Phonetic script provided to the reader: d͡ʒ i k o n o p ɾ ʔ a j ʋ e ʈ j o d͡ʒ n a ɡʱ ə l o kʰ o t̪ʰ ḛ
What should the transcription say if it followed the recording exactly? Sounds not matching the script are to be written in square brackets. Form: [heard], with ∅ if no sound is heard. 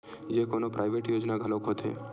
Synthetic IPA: d͡ʒ [e] k o n o p ɾ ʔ a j ʋ e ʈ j o d͡ʒ n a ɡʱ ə l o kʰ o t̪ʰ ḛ